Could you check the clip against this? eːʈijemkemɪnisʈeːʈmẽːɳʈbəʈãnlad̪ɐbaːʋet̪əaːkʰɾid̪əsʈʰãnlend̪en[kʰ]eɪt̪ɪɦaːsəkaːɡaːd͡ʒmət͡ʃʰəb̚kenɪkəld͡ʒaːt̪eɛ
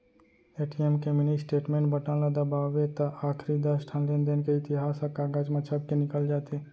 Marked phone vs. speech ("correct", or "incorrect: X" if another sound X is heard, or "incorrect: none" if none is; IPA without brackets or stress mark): incorrect: k